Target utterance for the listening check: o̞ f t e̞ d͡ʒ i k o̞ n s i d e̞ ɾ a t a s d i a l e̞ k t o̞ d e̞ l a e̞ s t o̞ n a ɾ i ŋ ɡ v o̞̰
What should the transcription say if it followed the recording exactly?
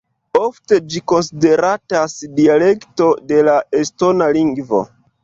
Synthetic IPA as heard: o̞ f t e̞ d͡ʒ i k o̞ n s i d e̞ ɾ a t a s d i a l e̞ k t o̞ d e̞ l a e̞ s t o̞ n a l i ŋ ɡ v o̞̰